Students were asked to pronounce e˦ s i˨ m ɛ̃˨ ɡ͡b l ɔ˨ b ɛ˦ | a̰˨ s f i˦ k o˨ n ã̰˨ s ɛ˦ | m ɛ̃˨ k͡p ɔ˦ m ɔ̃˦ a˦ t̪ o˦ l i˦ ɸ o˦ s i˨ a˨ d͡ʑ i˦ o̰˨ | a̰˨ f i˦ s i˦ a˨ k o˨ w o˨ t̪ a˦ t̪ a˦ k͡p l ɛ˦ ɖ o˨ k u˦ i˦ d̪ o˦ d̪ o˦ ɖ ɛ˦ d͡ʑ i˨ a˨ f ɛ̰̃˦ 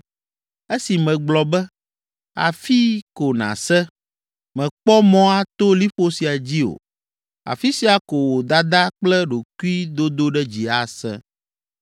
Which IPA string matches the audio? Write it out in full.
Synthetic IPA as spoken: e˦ s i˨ m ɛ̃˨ ɡ͡b l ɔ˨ b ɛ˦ | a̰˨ f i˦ k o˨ n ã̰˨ s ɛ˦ | m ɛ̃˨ k͡p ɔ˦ m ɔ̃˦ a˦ t̪ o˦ l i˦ ɸ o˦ s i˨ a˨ d͡ʑ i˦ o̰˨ | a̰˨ f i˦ s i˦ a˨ k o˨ w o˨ d̪ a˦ d̪ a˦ k͡p l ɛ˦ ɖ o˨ k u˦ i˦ d̪ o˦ d̪ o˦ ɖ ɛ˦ d͡ʑ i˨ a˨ s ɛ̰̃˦